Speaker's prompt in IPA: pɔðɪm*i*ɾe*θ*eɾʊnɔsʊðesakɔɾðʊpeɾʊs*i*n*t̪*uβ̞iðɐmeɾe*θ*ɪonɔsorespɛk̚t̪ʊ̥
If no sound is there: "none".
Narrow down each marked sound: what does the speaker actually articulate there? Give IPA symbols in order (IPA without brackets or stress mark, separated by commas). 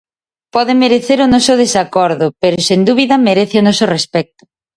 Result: e, θ, e, d̪, θ